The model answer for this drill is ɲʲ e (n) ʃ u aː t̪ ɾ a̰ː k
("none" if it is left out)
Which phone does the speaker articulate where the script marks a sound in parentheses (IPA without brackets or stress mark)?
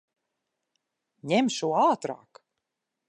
m